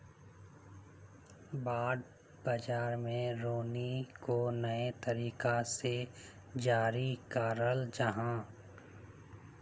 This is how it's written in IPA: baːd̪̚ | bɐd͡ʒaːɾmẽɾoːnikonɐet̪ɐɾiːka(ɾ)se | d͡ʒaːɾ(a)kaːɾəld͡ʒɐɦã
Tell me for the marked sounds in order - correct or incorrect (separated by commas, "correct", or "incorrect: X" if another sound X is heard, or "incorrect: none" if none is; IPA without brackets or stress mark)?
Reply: incorrect: none, incorrect: i